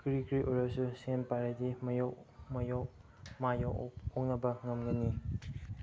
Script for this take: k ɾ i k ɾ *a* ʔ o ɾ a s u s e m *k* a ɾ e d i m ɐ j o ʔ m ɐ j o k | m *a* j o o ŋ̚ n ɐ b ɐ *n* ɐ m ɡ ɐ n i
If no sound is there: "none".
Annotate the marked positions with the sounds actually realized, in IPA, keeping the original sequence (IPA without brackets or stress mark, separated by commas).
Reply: i, p, a, ŋ